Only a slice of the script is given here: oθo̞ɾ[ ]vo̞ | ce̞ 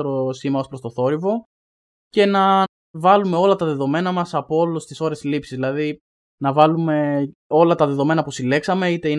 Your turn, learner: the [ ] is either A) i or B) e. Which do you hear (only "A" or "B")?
A